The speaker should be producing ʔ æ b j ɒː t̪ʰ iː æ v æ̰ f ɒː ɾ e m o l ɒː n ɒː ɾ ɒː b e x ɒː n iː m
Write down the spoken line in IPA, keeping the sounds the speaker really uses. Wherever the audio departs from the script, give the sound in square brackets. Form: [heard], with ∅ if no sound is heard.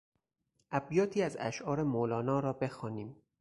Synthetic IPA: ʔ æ b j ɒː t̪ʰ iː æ [z] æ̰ [ʃ] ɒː ɾ e m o l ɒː n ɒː ɾ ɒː b e x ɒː n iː m